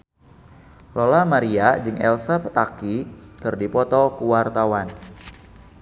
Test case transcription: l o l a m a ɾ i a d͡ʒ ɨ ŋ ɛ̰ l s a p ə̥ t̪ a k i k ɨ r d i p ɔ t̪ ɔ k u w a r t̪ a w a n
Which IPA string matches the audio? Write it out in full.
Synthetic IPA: l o l a m a ɾ i a d͡ʒ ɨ ŋ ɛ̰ l s a p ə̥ t̪ a k i k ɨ r d i p ɔ t̪ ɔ k u w a r t̪ a w a n